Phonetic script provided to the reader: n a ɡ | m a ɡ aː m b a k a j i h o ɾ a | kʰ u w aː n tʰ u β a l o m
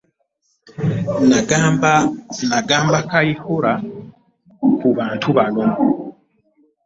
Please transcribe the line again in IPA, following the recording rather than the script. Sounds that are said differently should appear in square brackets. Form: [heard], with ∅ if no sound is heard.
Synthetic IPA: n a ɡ | [n] a ɡ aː m b a k a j i h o ɾ a | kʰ u [β] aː n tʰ u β a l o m